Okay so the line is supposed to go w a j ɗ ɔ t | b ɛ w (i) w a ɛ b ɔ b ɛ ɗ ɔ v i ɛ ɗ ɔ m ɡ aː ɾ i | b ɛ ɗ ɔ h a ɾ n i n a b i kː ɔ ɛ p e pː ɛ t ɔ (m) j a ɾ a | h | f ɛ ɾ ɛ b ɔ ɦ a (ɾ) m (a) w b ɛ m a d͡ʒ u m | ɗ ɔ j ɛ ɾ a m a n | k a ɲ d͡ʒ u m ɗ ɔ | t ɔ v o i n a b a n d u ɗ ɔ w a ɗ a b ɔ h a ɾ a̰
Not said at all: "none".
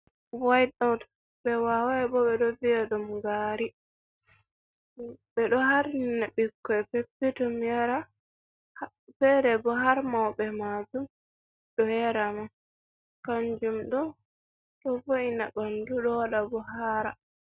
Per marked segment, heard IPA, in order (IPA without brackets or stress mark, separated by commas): a, m, ɾ, a